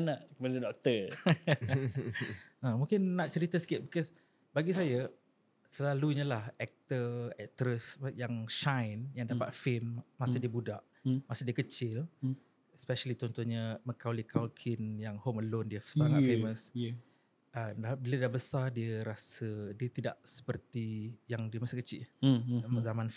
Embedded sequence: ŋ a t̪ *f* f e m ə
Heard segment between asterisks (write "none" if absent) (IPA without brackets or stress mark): f